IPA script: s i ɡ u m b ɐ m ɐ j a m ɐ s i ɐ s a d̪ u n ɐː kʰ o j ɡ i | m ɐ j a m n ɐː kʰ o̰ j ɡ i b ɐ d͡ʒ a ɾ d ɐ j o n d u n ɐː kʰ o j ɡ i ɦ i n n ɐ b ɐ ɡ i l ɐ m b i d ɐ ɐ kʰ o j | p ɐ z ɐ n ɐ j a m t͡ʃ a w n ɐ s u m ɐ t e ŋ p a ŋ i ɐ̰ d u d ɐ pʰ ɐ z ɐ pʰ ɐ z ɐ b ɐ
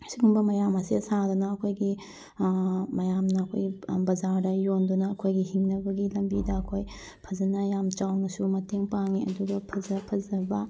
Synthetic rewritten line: s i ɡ u m b ɐ m ɐ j a m ɐ s i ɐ s a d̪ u n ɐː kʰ o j ɡ i | m ɐ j a m n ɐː kʰ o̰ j ɡ i b ɐ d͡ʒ a ɾ d ɐ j o n d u n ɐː kʰ o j ɡ i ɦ i ŋ n ɐ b ɐ ɡ i l ɐ m b i d ɐ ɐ kʰ o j | pʰ ɐ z ɐ n ɐ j a m t͡ʃ a w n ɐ s u m ɐ t e ŋ p a ŋ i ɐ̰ d u ɡ ɐ pʰ ɐ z ɐ pʰ ɐ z ɐ b ɐ